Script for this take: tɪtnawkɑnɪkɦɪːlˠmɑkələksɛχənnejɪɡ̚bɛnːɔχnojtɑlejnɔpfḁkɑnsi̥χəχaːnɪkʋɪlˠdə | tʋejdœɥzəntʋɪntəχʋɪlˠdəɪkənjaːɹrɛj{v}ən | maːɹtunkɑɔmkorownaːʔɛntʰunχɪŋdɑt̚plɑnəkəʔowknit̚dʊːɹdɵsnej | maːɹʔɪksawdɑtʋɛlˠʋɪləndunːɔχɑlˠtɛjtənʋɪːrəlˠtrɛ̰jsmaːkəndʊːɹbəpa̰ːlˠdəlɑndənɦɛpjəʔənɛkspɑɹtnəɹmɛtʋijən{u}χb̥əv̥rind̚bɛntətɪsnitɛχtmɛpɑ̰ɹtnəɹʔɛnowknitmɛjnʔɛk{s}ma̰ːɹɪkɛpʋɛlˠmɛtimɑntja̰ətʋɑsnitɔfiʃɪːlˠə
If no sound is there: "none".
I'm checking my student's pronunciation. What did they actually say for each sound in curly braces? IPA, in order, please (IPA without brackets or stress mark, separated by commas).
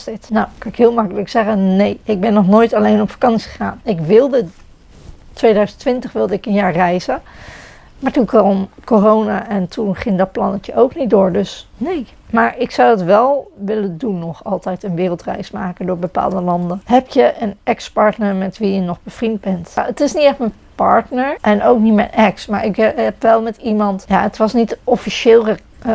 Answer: z, ɔ, s